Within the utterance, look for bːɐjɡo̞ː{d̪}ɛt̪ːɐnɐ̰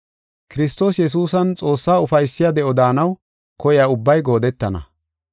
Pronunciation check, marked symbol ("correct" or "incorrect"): correct